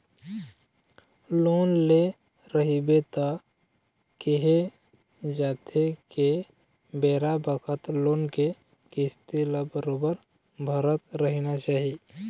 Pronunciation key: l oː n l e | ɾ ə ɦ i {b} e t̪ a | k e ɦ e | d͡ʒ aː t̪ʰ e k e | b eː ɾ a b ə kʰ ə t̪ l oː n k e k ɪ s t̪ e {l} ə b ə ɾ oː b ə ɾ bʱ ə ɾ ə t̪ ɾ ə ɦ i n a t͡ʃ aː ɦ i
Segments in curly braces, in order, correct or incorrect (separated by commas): correct, correct